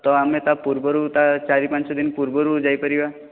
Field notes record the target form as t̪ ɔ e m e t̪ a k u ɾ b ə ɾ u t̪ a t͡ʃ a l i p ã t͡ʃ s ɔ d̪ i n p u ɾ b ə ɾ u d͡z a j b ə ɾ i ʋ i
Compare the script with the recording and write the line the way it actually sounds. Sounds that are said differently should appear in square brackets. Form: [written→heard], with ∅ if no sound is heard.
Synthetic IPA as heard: t̪ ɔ [e→a] m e t̪ a [k→p] u ɾ b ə ɾ u t̪ a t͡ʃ a [l→ɾ] i p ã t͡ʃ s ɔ d̪ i n p u ɾ b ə ɾ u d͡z a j [b→p] ə ɾ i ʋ [i→a]